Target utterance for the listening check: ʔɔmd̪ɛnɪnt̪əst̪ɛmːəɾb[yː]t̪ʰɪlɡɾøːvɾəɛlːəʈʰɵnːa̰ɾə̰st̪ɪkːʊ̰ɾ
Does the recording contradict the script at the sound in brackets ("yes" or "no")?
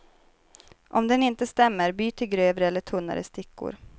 no